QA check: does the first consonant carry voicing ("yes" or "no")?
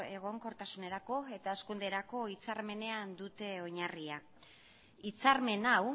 yes